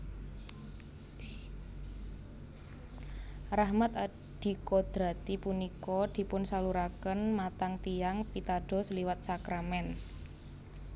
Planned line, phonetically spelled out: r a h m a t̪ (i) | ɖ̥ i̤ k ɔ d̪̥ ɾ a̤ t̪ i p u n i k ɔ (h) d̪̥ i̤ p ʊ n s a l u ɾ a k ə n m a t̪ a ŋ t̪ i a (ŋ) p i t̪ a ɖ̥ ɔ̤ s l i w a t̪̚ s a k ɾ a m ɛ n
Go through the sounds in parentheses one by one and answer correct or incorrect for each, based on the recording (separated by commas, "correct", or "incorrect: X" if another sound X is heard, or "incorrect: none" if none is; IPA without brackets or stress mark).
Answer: incorrect: a, incorrect: none, correct